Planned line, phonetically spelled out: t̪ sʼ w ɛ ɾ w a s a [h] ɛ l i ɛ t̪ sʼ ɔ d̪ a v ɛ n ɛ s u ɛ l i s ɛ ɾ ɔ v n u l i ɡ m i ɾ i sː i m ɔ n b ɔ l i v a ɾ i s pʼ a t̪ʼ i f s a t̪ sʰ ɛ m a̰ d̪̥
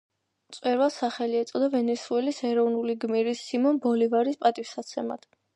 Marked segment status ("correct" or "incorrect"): incorrect